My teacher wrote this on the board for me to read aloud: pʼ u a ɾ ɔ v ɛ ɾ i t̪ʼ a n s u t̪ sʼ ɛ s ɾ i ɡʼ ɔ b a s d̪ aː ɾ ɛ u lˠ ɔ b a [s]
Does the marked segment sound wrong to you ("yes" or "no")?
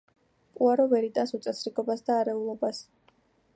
no